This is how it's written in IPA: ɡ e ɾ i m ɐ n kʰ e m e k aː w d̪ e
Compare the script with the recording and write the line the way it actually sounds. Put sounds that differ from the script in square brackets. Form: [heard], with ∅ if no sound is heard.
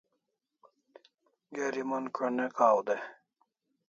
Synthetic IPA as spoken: ɡ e ɾ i m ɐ n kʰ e [n] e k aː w d̪ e